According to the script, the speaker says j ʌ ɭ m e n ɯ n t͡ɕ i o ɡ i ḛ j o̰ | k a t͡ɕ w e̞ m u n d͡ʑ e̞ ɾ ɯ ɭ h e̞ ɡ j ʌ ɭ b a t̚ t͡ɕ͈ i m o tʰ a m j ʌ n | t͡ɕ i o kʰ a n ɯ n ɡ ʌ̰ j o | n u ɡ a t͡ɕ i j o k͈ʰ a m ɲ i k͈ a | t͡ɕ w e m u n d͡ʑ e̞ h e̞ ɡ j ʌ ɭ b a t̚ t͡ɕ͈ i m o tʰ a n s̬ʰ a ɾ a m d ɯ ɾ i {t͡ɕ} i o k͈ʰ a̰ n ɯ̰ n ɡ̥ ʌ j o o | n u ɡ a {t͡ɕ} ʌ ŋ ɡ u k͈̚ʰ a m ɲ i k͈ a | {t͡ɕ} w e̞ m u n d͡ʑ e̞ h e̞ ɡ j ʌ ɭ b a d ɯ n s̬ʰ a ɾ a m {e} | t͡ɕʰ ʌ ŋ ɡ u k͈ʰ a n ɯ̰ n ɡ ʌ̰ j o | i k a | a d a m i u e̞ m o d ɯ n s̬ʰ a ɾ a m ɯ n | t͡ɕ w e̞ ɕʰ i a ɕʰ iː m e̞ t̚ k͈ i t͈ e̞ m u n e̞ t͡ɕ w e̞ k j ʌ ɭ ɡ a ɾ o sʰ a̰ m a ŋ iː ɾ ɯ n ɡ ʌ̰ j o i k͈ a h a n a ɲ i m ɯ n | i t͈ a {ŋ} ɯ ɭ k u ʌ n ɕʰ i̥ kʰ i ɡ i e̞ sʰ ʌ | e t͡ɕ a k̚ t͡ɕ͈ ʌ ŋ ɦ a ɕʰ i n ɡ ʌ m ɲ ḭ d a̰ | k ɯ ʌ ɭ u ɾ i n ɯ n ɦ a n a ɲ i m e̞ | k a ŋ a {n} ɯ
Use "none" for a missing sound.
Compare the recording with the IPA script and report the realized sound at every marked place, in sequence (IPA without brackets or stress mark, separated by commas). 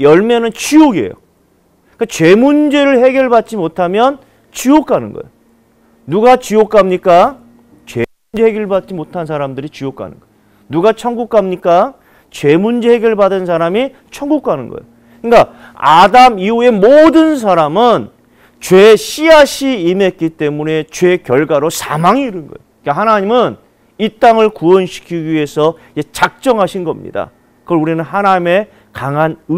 t͡ɕ, t͡ɕʰ, t͡ɕ, i, ŋ, n